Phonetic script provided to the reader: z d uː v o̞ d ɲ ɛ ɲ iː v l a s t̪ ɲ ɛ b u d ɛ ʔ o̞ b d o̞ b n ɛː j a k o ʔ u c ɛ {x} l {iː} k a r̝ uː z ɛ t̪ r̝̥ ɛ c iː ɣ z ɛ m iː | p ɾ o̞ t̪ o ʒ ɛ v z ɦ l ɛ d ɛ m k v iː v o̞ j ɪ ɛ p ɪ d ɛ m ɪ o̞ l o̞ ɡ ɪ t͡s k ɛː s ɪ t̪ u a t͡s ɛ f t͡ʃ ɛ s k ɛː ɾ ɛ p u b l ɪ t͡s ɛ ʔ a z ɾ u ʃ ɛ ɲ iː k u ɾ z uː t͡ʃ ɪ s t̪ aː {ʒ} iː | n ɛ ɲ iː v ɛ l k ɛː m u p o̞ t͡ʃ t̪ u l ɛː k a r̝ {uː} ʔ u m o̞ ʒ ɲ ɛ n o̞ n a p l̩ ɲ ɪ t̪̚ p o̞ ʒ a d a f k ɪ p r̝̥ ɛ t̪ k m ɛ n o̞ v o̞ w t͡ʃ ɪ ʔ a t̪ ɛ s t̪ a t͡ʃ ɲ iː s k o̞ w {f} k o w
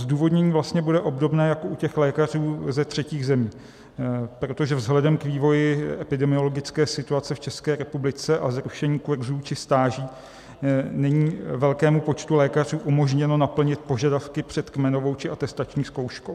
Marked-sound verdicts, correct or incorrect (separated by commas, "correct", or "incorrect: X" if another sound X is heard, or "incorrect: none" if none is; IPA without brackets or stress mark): correct, incorrect: ɛː, correct, correct, incorrect: ʃ